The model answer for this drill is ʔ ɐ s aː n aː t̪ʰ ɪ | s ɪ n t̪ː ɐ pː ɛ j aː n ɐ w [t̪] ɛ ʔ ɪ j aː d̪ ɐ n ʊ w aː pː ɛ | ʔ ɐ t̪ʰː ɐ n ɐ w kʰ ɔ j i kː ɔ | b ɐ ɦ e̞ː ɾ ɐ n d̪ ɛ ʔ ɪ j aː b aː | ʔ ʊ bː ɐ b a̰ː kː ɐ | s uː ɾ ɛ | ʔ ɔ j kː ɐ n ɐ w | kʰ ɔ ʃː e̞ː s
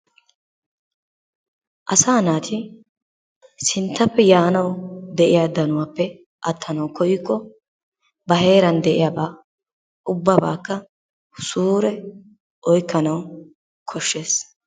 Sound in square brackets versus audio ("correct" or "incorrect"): incorrect